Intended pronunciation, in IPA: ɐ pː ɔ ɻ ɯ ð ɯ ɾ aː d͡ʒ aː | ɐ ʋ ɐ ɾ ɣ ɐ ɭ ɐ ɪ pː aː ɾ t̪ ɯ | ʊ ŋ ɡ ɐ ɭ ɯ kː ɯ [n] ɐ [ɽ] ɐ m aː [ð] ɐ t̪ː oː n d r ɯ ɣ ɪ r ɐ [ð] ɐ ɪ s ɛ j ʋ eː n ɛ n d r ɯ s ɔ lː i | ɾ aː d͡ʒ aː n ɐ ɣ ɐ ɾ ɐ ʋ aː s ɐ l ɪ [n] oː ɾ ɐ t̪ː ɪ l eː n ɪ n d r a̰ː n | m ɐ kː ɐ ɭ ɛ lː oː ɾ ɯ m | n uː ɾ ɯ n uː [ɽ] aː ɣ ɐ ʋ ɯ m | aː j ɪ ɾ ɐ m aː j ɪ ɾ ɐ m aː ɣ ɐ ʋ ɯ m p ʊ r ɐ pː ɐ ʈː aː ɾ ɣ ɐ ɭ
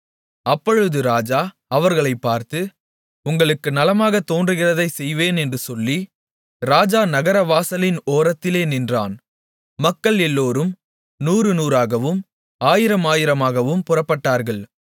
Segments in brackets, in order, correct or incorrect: correct, incorrect: l, incorrect: ɣ, correct, correct, incorrect: ɾ

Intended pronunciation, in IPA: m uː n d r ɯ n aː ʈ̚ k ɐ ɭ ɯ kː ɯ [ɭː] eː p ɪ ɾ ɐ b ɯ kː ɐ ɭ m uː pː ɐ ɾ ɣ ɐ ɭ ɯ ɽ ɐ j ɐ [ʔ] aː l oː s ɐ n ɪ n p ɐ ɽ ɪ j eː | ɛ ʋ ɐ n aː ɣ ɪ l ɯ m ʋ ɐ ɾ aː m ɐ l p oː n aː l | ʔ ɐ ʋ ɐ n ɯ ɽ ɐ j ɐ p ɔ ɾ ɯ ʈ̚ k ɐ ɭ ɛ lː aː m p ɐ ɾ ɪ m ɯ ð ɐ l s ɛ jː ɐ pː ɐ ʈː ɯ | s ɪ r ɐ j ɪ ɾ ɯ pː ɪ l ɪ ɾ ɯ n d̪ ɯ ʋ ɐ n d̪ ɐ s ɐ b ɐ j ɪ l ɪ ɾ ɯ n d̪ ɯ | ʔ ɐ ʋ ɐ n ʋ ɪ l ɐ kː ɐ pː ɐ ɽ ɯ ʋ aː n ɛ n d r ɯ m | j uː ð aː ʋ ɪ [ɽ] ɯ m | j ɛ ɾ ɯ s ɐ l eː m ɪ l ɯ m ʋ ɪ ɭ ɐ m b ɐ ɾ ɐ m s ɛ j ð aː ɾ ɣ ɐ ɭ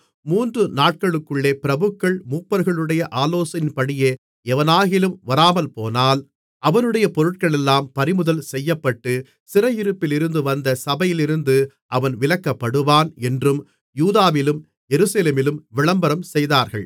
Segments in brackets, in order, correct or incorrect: correct, correct, incorrect: l

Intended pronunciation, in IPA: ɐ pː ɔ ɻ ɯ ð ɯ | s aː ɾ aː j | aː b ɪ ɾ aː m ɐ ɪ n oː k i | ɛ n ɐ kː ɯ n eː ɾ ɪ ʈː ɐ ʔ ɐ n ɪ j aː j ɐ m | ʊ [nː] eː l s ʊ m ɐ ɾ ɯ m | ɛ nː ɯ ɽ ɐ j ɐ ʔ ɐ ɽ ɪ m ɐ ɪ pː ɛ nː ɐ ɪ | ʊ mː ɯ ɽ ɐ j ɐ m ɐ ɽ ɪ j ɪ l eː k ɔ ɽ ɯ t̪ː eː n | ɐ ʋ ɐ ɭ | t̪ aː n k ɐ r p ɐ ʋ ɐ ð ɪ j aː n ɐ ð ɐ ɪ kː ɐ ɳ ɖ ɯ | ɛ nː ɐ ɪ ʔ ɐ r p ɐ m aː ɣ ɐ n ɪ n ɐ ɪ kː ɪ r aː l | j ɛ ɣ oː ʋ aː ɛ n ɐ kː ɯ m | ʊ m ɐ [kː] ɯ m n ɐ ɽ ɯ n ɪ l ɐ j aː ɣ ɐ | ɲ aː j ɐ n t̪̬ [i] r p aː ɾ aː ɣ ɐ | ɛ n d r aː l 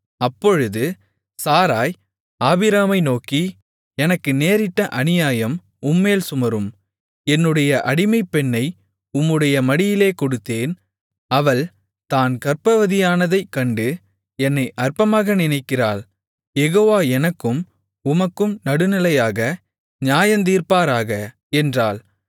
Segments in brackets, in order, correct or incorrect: incorrect: mː, correct, incorrect: iː

